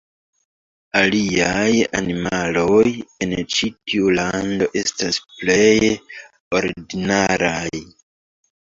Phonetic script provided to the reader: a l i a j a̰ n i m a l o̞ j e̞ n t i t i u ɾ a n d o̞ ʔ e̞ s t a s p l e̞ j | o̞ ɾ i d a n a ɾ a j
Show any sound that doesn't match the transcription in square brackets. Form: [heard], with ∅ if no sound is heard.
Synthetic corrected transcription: a l i a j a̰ n i m a l o̞ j e̞ n [t͡ʃ] i t i u [l] a n d o̞ ʔ e̞ s t a s p l e̞ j | o̞ ɾ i d [i] n a ɾ a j